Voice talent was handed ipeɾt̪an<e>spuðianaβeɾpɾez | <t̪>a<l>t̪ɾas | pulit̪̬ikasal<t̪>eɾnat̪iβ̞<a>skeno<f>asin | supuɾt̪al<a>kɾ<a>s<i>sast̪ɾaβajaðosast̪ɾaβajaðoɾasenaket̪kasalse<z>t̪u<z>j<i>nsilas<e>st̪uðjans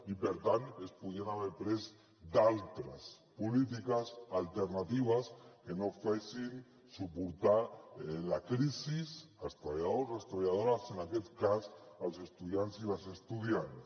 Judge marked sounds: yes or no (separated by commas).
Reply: yes, no, yes, yes, yes, yes, yes, no, yes, no, no, no, yes